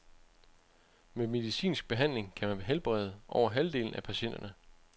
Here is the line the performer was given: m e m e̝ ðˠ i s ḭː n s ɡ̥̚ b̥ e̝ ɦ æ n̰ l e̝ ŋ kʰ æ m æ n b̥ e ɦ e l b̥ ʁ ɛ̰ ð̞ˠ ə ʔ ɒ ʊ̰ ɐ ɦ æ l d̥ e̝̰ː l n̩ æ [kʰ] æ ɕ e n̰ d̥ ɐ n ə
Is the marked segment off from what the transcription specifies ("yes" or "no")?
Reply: yes